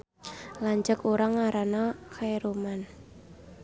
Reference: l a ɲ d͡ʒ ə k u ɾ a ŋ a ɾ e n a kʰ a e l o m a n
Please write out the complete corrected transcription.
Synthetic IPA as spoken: l a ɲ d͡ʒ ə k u ɾ a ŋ a ɾ a n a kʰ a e ɾ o m a n